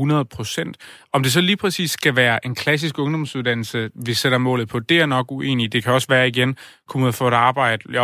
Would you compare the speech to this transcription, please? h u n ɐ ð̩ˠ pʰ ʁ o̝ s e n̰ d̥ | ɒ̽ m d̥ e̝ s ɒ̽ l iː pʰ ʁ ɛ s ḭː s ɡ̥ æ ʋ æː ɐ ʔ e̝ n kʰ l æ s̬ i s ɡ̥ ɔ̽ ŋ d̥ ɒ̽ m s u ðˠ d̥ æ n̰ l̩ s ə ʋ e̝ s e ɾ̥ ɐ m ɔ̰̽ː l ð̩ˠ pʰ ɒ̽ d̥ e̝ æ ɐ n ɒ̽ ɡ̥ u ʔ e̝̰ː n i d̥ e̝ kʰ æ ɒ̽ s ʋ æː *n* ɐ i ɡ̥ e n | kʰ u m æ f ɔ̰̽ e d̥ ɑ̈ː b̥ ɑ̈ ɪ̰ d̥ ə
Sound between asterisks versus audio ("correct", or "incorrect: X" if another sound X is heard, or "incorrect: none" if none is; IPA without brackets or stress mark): incorrect: none